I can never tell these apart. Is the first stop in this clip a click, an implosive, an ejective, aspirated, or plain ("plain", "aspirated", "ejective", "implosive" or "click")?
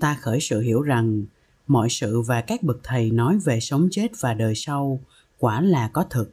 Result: plain